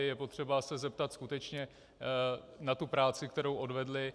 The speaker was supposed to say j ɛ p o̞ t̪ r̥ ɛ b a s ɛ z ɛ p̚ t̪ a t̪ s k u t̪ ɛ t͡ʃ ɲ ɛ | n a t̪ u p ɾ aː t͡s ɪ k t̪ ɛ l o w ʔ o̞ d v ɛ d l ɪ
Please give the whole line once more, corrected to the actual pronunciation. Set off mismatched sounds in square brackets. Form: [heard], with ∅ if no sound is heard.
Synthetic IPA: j ɛ p o̞ t̪ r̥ ɛ b a s ɛ z ɛ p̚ t̪ a t̪ s k u t̪ ɛ t͡ʃ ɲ ɛ | n a t̪ u p ɾ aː t͡s ɪ k t̪ ɛ [ɾ] o w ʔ o̞ d v ɛ d l ɪ